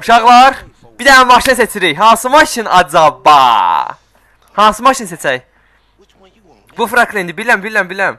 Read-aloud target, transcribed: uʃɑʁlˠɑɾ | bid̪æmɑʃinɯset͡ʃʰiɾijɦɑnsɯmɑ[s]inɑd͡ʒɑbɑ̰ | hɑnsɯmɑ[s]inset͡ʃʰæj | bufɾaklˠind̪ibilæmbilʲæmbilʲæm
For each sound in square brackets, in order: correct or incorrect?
incorrect: ʃ, incorrect: ʃ

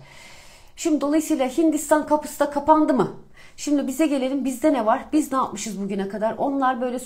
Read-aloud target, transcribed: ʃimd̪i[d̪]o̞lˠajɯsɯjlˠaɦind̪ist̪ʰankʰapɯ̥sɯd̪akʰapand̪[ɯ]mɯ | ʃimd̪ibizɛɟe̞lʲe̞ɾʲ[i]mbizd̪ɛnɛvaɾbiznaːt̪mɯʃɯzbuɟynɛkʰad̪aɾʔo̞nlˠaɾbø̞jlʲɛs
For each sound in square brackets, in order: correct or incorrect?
correct, correct, correct

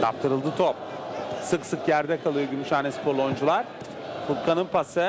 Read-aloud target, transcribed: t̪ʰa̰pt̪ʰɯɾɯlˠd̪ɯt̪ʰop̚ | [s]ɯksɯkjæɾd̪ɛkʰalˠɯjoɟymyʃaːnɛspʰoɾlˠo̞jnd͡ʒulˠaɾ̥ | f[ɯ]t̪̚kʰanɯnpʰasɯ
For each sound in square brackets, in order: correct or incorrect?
correct, incorrect: u

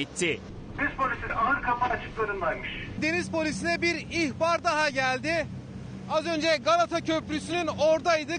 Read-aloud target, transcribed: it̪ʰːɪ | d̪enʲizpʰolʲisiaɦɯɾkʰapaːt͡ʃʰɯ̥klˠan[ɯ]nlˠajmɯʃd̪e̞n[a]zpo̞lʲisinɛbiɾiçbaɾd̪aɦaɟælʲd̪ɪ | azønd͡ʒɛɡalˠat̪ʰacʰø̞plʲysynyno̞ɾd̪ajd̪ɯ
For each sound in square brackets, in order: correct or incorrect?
correct, incorrect: i

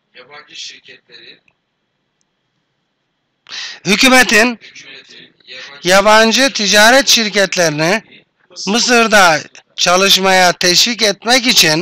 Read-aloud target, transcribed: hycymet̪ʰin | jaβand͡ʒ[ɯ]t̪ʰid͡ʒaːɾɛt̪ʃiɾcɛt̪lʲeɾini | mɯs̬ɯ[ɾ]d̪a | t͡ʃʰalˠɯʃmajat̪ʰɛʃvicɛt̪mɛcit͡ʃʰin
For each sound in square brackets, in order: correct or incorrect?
correct, correct

